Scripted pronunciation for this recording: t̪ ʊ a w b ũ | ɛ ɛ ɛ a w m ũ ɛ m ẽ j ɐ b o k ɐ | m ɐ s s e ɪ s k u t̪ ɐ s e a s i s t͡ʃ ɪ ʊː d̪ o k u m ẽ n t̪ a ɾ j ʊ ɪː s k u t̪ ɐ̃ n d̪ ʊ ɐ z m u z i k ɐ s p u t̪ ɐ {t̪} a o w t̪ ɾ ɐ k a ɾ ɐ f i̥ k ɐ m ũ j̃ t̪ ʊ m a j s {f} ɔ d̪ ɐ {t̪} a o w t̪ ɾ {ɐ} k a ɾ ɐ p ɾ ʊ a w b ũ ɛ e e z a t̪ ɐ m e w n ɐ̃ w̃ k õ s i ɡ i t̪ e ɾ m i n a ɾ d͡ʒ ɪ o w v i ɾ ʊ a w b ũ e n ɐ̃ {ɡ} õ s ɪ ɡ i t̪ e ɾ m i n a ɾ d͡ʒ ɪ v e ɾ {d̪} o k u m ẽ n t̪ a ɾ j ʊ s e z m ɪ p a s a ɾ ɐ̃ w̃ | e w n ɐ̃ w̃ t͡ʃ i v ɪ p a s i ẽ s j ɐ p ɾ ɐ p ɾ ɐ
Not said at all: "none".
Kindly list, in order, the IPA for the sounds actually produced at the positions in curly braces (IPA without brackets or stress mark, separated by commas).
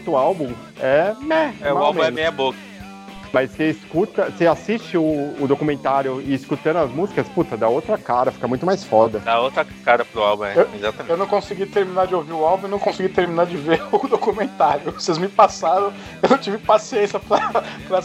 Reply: d̪, f, d̪, ɐ, k, d̪